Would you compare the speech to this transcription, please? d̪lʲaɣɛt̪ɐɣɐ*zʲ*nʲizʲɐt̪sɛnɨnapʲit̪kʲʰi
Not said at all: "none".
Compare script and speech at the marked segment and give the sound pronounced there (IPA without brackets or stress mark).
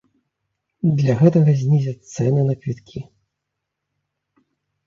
zʲ